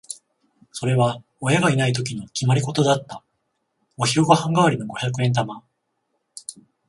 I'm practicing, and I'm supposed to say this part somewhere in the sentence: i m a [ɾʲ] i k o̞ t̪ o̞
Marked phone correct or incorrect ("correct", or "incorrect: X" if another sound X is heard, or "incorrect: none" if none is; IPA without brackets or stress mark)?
correct